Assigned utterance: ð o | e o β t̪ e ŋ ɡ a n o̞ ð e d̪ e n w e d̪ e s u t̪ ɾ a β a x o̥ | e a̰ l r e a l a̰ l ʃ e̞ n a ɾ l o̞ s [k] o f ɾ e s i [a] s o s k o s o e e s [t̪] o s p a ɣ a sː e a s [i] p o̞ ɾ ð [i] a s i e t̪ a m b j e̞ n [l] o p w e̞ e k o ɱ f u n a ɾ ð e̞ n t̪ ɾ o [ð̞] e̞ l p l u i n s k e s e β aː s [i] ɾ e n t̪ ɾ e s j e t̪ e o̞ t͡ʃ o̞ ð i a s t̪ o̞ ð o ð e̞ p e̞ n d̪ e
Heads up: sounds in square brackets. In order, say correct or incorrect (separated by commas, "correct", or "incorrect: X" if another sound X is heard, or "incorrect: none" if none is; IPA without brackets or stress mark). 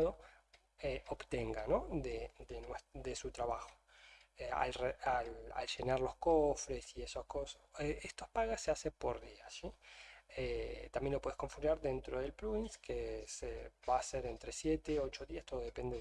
correct, incorrect: e, correct, incorrect: e, correct, correct, correct, incorrect: e